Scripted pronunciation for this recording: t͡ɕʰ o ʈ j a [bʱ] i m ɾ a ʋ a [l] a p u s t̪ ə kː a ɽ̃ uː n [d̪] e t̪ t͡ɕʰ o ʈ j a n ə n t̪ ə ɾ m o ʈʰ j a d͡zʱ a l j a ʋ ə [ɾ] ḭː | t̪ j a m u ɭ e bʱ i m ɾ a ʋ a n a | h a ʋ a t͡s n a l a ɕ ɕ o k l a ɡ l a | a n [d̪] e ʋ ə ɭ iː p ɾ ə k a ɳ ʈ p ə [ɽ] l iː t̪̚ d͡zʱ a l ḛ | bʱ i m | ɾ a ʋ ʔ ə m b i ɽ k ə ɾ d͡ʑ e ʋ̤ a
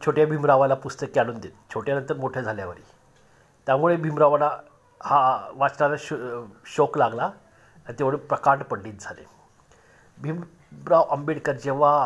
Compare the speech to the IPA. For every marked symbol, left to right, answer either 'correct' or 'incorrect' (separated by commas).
correct, correct, correct, correct, incorrect, correct